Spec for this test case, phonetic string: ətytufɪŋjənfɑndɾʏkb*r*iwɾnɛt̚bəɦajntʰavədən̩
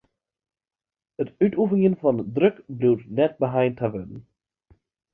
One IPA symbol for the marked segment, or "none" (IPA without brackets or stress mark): l